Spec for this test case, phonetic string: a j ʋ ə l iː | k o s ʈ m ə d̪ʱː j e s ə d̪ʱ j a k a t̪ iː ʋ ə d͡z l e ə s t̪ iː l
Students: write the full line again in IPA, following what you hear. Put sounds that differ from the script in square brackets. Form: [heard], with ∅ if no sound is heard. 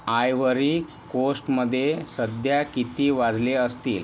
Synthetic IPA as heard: a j ʋ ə [ɾ] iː | k o s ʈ m ə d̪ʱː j e s ə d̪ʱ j a k [i] t̪ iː ʋ [a] d͡z l e ə s t̪ iː l